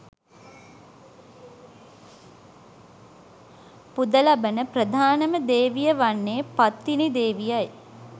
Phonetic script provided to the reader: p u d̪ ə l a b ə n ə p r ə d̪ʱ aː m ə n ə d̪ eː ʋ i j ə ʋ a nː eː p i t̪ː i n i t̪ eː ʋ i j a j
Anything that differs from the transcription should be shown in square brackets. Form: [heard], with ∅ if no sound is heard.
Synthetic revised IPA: p u d̪ ə l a b ə n ə p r ə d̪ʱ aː [n] ə [m] ə d̪ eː ʋ i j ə ʋ a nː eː p [a] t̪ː i n i [d̪] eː ʋ i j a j